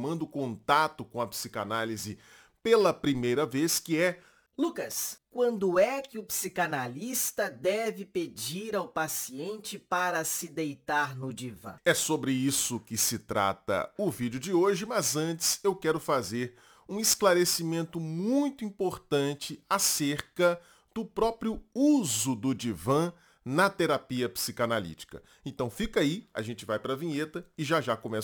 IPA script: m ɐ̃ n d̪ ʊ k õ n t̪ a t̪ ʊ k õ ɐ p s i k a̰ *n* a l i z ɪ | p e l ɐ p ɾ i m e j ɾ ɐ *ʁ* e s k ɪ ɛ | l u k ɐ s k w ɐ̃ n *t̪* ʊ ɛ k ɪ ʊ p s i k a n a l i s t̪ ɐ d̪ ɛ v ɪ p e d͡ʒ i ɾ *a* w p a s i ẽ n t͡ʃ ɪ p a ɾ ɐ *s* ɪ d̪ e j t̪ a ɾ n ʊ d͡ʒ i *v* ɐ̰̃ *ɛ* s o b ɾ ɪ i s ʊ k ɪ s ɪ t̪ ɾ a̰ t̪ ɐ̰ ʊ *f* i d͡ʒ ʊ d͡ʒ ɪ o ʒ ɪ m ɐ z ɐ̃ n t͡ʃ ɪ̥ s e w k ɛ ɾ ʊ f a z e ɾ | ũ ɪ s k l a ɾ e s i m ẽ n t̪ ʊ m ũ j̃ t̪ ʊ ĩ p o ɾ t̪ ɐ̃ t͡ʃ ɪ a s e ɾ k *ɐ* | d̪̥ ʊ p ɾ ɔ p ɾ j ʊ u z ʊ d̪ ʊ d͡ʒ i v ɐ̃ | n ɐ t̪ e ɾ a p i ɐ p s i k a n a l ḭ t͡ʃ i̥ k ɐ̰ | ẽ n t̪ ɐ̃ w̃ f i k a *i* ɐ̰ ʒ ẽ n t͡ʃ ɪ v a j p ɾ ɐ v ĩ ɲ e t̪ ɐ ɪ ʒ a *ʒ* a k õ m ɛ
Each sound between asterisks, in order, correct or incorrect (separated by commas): correct, incorrect, incorrect, correct, correct, correct, correct, incorrect, correct, correct, correct